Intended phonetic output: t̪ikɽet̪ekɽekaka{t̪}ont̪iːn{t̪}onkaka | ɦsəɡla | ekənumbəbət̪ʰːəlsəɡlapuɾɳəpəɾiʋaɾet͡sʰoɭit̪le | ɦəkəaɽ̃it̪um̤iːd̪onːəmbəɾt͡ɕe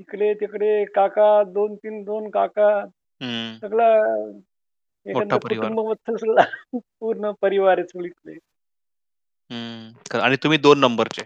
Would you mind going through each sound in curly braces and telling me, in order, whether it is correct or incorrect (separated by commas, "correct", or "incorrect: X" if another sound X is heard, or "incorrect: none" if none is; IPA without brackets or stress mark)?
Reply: incorrect: d̪, incorrect: d̪